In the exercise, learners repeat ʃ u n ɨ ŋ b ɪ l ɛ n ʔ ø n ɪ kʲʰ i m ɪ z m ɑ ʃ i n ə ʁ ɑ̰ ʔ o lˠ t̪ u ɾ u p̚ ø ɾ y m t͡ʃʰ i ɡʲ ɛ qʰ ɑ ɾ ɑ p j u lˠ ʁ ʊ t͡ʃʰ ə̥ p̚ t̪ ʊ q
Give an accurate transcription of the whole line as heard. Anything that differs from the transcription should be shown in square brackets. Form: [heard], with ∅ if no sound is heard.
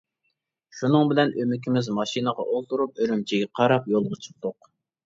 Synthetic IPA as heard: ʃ u n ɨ ŋ b ɪ l ɛ n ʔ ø [m] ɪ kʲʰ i m ɪ z m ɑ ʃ i n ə ʁ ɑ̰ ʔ o lˠ t̪ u ɾ u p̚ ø ɾ y m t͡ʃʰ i ɡʲ ɛ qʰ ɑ ɾ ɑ p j [o] lˠ ʁ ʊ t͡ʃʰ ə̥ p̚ t̪ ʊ q